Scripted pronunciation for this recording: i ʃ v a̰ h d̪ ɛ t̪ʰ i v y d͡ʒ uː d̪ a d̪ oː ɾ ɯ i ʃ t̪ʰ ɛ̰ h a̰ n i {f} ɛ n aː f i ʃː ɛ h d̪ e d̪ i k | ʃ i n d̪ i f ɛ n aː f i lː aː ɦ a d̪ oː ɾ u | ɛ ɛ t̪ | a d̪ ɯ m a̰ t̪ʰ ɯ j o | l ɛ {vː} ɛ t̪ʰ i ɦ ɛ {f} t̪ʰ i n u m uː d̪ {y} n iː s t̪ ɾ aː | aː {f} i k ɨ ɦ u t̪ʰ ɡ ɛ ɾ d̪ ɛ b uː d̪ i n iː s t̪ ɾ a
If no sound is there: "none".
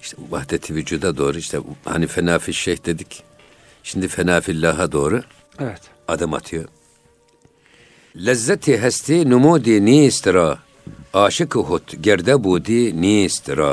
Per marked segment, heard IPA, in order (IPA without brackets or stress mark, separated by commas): f, zː, s, i, ʃ